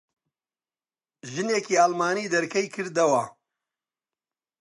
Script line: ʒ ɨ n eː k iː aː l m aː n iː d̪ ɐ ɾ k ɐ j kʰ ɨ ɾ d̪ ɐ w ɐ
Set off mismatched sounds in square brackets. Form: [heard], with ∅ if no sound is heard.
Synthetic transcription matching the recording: ʒ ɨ n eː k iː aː l m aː n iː d̪ ɐ ɾ k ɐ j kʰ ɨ ɾ d̪ ɐ w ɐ